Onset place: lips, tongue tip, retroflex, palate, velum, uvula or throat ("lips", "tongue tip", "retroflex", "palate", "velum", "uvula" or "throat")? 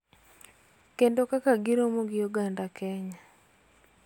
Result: velum